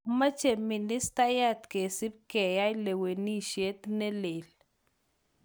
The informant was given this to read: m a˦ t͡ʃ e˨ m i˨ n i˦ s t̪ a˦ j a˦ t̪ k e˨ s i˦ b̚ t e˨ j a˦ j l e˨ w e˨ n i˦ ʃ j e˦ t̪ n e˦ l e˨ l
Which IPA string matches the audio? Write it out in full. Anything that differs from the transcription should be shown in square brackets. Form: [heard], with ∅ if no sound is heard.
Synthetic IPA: m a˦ t͡ʃ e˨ m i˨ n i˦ s t̪ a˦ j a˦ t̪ k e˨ s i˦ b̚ [k] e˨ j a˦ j l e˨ w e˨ n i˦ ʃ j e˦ t̪ n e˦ l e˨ l